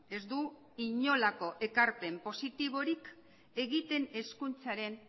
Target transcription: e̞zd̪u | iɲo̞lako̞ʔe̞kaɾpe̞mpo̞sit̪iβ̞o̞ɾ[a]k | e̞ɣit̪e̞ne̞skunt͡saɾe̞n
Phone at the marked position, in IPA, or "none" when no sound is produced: i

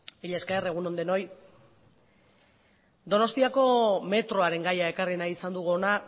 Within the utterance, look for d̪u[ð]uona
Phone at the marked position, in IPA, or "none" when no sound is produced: ɣ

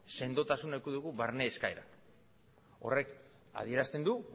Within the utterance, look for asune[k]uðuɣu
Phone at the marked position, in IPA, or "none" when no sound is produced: k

